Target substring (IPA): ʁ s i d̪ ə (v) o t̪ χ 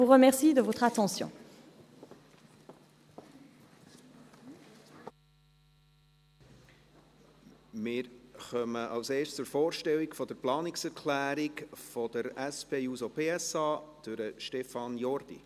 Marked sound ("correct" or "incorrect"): correct